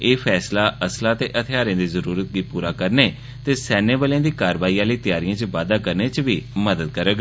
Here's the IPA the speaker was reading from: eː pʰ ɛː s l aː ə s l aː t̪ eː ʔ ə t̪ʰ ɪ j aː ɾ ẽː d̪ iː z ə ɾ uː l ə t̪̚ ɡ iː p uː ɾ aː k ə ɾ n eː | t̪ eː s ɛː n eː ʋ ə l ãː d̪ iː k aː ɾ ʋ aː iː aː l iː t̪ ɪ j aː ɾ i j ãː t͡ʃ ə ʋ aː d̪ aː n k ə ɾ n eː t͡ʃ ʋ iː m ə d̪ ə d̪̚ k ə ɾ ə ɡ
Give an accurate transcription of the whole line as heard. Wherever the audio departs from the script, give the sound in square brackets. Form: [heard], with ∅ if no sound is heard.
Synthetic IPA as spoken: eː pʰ ɛː s l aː ə s l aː t̪ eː ʔ ə t̪ʰ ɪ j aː ɾ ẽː d̪ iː z ə ɾ uː [ɾ] ə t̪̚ ɡ iː p uː ɾ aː k ə ɾ n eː | t̪ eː s ɛː n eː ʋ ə l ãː d̪ iː k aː ɾ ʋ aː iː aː l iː t̪ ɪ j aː ɾ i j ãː t͡ʃ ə ʋ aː d̪ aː [∅] k ə ɾ n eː t͡ʃ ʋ iː m ə d̪ ə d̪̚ k ə ɾ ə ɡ